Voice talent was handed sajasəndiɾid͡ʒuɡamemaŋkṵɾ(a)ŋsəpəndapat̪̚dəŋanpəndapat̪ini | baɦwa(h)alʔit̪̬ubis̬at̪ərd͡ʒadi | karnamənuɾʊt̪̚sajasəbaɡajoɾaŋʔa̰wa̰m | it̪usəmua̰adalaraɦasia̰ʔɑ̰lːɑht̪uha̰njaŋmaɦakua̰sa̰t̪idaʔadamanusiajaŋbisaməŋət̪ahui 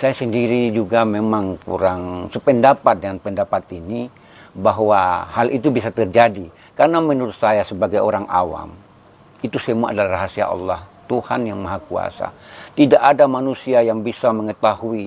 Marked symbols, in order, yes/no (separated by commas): yes, yes